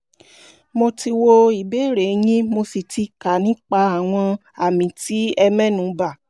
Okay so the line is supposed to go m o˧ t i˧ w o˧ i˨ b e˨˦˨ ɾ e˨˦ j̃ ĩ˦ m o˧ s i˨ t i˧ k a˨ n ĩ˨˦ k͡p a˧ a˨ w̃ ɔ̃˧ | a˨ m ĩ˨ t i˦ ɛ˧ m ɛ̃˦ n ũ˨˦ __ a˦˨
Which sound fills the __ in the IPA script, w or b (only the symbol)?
b